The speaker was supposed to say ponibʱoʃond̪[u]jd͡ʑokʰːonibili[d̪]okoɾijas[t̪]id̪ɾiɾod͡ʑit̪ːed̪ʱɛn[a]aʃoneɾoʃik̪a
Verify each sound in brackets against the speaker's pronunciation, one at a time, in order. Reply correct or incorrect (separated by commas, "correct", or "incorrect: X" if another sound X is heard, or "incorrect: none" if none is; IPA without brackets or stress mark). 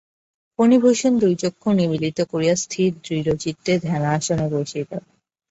correct, incorrect: t̪, incorrect: t̪ʰ, correct